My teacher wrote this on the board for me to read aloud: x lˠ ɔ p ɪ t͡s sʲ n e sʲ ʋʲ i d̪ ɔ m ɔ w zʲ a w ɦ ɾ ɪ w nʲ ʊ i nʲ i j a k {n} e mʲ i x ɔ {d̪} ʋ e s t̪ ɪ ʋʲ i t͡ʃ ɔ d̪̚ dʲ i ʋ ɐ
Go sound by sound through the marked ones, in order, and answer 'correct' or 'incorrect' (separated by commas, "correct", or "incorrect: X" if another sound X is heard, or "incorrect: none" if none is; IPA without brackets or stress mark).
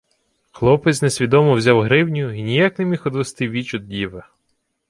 correct, correct